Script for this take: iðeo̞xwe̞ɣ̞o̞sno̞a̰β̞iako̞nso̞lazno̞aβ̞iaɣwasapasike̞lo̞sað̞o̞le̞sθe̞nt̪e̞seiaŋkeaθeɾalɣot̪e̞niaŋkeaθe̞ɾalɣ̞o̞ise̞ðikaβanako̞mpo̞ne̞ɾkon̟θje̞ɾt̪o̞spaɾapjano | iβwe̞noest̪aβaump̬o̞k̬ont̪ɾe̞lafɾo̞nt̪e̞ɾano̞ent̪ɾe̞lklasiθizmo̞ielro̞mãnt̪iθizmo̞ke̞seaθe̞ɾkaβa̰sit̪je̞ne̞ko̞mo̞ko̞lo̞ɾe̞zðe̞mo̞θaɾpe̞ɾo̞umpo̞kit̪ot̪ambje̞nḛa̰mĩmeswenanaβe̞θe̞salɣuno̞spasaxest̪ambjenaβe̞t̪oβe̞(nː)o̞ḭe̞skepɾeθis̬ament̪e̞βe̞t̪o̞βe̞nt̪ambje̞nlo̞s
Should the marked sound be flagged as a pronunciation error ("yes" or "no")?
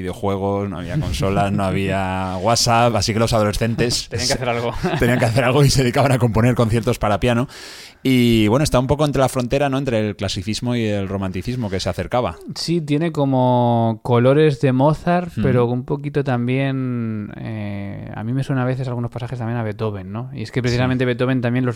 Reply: no